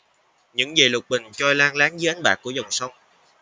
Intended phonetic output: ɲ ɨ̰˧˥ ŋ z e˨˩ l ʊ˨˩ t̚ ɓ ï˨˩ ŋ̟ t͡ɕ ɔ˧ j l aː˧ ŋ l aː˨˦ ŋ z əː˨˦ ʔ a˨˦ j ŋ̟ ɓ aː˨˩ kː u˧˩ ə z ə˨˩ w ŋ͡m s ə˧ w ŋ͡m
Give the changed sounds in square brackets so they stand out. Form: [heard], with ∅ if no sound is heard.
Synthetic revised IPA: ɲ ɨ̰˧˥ ŋ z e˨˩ l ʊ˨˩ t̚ ɓ ï˨˩ ŋ̟ t͡ɕ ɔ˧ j l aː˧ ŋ l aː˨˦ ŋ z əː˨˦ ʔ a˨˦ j ŋ̟ ɓ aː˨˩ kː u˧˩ ə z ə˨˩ w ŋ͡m s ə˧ w ŋ͡m